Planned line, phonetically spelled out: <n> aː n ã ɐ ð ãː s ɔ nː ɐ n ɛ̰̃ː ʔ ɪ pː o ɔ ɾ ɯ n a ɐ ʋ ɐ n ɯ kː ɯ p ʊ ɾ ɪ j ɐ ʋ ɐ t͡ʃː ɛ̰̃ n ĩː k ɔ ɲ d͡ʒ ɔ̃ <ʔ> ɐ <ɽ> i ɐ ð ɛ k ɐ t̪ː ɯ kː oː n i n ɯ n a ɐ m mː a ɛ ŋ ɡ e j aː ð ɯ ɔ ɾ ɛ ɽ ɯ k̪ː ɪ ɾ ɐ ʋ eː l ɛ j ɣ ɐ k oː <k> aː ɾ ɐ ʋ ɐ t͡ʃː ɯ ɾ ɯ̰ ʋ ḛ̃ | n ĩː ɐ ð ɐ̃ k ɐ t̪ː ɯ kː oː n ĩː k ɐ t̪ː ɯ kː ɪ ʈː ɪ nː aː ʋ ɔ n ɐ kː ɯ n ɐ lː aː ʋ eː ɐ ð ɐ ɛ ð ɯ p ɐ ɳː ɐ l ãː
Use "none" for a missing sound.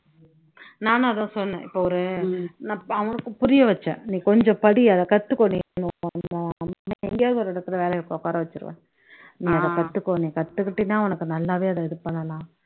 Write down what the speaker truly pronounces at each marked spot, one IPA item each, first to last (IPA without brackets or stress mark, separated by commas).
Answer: n, p, ɽ, k